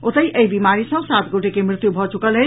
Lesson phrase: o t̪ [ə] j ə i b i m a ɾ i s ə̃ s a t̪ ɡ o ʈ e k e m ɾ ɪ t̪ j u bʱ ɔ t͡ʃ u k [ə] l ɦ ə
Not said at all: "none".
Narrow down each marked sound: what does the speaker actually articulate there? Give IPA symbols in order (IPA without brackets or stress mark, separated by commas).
ə, ə